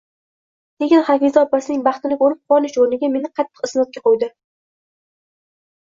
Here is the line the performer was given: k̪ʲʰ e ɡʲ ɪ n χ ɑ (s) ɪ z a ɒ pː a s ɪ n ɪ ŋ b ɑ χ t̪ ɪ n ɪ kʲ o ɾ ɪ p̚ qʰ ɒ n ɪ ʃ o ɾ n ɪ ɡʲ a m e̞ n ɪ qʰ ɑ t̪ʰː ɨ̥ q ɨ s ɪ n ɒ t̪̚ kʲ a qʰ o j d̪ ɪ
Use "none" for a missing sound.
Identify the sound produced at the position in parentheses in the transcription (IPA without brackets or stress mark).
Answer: f